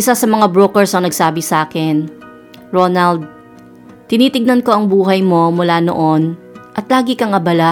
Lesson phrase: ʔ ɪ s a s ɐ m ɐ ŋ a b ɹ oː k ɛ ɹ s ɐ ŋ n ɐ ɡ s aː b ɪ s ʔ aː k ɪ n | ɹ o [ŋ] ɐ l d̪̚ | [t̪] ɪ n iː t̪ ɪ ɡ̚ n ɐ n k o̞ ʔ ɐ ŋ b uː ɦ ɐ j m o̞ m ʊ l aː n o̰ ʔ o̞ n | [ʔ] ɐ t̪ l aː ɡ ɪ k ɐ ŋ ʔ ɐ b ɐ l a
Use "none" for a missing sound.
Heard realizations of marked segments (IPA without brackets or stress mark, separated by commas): n, t̪, ʔ